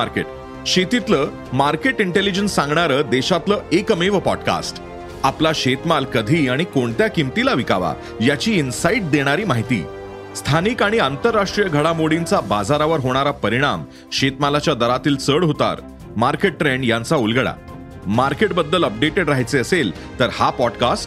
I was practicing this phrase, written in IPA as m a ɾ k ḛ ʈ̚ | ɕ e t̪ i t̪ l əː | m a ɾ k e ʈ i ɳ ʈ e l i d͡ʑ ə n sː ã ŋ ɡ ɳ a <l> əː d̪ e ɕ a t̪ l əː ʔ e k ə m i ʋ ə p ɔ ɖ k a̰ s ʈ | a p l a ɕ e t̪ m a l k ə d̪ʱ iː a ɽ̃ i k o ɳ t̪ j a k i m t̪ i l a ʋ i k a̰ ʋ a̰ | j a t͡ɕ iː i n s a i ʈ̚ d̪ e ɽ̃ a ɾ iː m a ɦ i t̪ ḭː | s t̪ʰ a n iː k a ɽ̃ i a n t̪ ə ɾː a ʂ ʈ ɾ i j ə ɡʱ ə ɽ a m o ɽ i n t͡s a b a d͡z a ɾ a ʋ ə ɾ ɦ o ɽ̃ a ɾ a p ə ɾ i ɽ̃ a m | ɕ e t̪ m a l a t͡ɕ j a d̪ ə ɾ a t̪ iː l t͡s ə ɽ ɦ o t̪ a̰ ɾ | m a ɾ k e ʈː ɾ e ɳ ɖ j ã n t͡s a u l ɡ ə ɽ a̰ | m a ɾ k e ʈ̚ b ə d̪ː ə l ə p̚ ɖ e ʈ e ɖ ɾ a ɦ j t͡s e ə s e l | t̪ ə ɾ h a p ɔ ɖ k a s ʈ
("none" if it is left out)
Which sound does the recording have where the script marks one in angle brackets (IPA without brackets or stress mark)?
ɾ